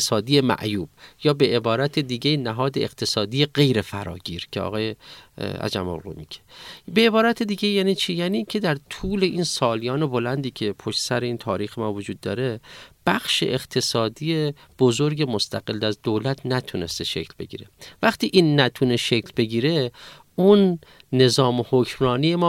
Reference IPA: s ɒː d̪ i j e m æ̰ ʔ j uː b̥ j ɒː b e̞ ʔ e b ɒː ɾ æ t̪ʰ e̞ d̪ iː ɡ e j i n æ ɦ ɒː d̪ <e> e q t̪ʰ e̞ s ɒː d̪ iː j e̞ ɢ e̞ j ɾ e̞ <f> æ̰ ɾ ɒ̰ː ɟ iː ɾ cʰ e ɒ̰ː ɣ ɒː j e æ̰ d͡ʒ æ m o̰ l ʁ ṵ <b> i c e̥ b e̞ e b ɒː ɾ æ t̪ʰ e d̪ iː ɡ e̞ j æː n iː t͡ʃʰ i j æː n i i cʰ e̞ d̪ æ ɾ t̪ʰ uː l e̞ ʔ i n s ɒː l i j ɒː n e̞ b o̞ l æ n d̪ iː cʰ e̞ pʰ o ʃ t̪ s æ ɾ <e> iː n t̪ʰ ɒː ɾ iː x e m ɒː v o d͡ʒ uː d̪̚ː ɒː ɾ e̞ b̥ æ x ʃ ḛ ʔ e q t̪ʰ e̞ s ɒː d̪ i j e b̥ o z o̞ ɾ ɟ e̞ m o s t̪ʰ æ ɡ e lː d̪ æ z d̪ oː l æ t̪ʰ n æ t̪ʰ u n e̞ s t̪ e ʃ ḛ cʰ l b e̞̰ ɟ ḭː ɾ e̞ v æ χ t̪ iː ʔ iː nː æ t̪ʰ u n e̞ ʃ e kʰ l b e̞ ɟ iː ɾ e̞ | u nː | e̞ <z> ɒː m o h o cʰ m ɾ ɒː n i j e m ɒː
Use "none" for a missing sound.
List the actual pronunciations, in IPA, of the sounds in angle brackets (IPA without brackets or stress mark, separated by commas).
e, f, m, e, z